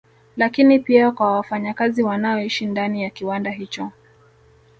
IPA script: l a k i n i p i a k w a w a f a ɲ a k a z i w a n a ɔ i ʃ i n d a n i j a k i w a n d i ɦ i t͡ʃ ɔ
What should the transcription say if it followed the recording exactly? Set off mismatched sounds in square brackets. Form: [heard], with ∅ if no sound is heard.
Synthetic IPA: l a k i n i p i a k w a w a f a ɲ a k a z i w a n a ɔ i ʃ i n d a n i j a k i w a n d [a] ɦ i t͡ʃ ɔ